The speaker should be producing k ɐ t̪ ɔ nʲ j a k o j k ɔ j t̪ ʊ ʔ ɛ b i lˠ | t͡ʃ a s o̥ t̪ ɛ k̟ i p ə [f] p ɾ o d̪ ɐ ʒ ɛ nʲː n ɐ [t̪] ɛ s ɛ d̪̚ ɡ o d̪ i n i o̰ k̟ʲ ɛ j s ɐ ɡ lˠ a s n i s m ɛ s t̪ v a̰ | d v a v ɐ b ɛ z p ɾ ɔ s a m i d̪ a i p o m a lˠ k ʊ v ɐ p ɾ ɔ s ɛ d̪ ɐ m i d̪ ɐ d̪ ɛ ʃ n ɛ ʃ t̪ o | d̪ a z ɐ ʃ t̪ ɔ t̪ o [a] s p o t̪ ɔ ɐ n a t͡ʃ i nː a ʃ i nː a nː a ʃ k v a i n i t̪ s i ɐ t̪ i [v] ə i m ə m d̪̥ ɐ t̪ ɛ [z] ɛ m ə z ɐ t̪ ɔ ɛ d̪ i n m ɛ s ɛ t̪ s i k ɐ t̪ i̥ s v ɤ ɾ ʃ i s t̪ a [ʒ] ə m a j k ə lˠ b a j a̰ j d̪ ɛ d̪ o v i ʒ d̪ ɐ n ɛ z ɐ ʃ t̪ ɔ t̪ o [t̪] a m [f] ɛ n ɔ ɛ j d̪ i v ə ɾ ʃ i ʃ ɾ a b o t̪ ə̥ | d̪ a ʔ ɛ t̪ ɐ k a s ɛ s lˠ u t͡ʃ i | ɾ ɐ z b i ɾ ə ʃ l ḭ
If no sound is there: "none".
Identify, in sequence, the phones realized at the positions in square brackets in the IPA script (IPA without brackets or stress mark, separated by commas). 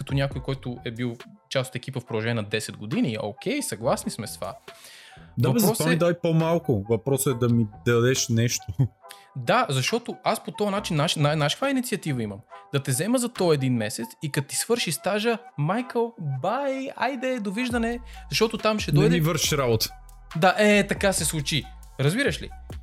f, d̪, a, v, z, ʒ, t̪, ʃ